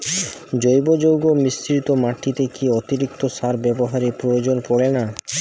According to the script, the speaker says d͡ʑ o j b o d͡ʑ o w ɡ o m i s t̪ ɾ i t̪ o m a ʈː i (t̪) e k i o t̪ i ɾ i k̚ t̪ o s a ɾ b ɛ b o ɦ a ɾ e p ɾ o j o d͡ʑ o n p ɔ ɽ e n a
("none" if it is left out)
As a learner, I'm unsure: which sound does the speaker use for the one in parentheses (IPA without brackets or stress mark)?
t̪